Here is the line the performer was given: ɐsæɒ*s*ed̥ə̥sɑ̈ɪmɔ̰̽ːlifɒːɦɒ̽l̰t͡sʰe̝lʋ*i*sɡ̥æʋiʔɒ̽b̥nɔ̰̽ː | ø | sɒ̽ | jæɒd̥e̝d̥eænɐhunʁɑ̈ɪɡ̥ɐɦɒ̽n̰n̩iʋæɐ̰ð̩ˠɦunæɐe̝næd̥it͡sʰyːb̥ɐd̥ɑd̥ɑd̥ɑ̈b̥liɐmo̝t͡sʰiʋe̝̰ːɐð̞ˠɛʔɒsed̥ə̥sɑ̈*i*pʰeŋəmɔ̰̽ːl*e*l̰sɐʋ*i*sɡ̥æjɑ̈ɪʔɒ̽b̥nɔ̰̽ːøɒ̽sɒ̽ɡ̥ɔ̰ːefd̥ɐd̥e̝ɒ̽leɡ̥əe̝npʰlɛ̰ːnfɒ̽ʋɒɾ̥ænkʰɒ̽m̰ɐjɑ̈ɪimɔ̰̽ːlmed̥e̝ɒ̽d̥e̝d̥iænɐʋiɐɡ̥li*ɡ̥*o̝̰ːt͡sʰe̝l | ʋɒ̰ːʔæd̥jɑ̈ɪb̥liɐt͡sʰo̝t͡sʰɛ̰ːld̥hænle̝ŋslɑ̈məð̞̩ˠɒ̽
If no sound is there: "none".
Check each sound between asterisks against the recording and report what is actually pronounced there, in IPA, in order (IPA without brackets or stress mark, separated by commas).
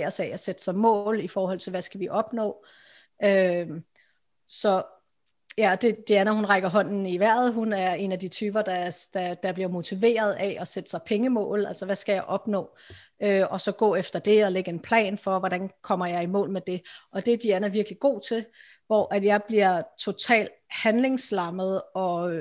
s, æ, ɪ, æ, æ, ɡ̥